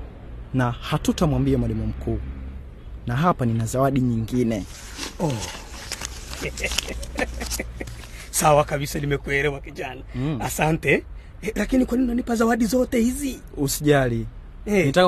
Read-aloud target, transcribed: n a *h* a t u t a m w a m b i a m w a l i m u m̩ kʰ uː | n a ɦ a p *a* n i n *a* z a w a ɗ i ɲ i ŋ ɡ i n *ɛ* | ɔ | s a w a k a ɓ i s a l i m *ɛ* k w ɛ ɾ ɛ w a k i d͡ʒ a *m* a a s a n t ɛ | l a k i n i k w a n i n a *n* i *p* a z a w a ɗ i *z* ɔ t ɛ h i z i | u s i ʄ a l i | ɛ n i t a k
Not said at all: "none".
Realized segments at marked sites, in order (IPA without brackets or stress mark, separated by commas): h, a, a, ɛ, ɛ, n, n, p, z